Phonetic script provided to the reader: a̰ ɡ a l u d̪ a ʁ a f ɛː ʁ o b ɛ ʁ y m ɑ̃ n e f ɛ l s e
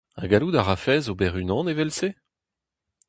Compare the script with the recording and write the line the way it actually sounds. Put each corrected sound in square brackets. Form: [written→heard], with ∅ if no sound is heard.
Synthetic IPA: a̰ ɡ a l u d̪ a ʁ a f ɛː [ʁ→z] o b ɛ ʁ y [m→n] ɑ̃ n e [f→v] ɛ l s e

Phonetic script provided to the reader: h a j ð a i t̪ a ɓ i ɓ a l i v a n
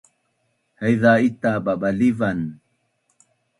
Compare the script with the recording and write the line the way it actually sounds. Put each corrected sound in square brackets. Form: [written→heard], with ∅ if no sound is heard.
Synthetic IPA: h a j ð a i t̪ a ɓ [i→a] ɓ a l i v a n

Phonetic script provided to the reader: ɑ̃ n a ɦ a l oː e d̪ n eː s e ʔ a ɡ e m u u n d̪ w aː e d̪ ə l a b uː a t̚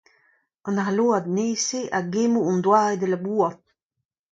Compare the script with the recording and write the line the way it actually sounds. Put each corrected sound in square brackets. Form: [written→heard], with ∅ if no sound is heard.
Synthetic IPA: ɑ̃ n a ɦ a l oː [e→a] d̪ n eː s e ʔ a ɡ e m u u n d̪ w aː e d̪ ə l a b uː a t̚

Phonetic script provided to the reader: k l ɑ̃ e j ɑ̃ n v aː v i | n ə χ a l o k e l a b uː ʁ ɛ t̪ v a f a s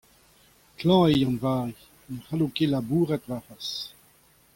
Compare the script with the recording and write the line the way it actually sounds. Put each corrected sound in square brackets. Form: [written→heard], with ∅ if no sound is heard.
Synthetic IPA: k l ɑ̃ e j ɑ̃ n v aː [v→ʁ] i | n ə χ a l o k e l a b uː ʁ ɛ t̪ v a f a s

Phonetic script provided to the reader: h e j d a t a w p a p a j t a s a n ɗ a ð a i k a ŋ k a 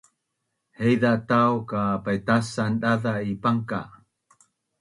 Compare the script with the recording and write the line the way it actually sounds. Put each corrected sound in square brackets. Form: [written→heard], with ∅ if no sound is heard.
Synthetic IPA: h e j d a t a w [p→k] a p a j t a s a n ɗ a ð a i [k→p] a ŋ k a

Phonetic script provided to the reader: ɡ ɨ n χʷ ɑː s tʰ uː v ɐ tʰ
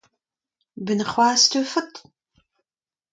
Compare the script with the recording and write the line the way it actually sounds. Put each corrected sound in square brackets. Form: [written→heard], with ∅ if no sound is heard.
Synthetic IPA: [ɡ→b] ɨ n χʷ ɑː s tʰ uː [v→f] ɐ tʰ

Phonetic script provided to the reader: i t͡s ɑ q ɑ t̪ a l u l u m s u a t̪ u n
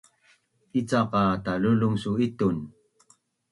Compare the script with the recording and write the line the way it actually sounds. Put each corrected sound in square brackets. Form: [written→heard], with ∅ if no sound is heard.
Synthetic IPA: i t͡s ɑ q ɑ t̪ a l u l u [m→ŋ] s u [a→i] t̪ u n

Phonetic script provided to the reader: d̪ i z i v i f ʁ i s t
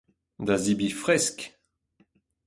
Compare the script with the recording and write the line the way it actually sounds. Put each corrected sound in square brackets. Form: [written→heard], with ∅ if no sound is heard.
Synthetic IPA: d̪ [i→a] z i [v→b] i f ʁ [i→ɛ] s [t→k]

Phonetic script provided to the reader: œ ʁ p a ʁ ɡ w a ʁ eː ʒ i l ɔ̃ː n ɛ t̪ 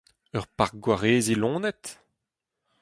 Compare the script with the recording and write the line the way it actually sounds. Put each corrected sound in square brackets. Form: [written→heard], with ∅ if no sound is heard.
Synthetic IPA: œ ʁ p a ʁ ɡ w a ʁ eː [ʒ→z] i l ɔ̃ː n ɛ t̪

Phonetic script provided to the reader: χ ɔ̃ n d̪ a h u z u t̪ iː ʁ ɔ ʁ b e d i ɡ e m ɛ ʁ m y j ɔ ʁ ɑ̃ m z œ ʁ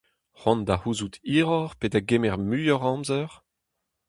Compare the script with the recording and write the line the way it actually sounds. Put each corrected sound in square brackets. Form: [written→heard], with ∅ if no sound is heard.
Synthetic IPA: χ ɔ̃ n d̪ a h u z u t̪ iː ʁ ɔ ʁ [b→p] e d [i→a] ɡ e m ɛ ʁ m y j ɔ ʁ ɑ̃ m z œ ʁ

